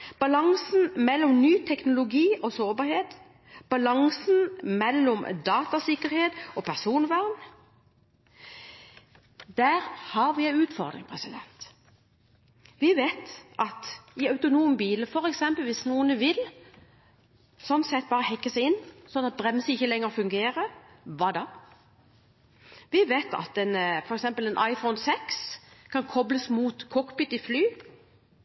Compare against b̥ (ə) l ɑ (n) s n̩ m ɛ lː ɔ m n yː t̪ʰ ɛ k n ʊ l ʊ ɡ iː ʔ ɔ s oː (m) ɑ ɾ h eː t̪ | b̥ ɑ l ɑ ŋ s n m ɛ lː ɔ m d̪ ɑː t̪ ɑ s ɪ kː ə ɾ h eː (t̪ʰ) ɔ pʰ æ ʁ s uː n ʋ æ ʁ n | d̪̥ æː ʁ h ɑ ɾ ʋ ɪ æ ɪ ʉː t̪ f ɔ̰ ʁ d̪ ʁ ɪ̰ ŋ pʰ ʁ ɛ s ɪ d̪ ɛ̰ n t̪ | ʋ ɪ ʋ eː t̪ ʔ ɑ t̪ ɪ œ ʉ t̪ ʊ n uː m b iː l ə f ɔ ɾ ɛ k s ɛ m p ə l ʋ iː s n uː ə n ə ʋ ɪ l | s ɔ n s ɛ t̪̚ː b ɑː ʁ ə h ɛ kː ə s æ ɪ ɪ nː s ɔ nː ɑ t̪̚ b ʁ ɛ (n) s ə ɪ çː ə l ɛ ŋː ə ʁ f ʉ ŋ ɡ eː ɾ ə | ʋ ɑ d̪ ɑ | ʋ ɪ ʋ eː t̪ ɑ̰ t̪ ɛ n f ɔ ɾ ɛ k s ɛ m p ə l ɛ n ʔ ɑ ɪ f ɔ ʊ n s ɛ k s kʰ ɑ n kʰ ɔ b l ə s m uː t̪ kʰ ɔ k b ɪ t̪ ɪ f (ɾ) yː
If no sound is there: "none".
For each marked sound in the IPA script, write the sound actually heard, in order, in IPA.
ɑ, ŋ, b, t̪, m, l

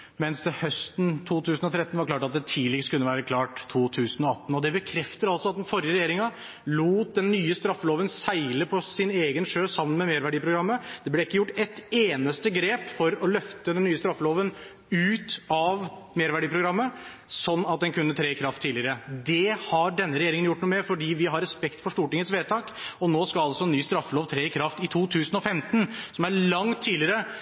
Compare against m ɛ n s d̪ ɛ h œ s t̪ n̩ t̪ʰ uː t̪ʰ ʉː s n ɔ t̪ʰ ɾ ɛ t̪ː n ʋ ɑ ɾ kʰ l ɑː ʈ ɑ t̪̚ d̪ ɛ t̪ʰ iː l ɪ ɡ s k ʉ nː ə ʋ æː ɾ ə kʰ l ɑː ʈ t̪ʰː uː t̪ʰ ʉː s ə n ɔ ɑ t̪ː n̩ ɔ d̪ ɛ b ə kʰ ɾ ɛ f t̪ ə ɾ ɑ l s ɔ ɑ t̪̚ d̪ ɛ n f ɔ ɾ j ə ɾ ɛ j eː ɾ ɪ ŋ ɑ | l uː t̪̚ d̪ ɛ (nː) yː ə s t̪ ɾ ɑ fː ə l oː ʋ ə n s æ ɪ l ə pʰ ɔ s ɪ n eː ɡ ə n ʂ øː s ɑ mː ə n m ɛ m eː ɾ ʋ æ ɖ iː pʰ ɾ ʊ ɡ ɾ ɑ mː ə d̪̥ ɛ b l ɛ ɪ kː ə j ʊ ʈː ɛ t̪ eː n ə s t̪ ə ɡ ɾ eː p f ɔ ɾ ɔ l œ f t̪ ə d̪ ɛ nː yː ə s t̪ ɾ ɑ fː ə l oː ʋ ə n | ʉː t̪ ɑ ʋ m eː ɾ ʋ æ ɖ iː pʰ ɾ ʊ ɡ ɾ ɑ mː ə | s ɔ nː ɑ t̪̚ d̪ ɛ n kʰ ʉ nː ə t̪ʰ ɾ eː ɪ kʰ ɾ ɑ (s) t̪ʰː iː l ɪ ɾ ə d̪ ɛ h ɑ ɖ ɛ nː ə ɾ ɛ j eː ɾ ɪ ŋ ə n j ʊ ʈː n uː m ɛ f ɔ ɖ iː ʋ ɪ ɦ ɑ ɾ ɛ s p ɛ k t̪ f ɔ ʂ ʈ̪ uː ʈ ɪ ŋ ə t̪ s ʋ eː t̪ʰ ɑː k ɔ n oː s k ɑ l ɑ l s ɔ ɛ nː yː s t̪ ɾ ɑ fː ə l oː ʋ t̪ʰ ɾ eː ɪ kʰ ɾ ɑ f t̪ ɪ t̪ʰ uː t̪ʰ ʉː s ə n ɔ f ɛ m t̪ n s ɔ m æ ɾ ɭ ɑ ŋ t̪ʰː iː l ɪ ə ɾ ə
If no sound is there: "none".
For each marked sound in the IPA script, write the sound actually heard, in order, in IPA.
nː, f

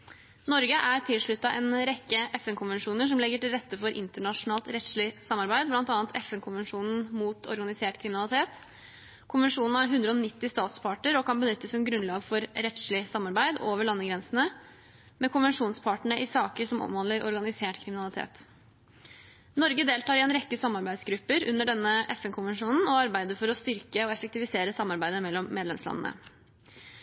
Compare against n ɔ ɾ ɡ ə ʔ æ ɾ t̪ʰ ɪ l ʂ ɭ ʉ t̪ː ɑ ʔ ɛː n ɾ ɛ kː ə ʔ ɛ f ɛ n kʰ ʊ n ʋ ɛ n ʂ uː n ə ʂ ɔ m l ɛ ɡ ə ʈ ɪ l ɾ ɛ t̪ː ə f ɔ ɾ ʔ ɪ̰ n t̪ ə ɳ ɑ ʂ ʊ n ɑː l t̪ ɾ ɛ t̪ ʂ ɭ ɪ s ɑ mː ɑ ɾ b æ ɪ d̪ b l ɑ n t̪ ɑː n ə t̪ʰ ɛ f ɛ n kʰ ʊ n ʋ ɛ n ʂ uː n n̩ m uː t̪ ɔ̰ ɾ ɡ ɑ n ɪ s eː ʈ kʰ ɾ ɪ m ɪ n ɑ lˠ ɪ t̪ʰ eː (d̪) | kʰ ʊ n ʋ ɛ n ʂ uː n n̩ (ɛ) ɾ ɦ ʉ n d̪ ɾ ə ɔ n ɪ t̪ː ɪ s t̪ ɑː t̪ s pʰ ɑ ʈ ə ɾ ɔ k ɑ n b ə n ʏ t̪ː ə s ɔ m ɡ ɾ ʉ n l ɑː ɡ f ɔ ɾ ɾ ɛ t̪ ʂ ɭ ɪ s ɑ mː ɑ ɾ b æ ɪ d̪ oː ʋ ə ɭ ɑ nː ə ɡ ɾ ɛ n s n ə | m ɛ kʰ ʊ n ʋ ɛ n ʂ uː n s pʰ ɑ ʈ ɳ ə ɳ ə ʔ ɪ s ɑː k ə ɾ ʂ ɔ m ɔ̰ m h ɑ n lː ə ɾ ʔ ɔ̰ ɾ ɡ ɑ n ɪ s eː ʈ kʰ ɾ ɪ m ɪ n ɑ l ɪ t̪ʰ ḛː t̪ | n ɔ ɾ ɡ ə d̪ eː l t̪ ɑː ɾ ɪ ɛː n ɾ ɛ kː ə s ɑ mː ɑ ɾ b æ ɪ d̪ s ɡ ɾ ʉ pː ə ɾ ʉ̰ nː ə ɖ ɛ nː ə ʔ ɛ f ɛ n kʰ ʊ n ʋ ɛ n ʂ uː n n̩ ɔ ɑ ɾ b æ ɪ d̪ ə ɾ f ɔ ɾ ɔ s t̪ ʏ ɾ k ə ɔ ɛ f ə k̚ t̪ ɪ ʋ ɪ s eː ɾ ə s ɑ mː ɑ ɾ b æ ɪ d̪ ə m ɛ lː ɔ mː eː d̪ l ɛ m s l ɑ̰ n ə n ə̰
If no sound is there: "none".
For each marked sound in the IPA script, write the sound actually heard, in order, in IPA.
t̪, æ

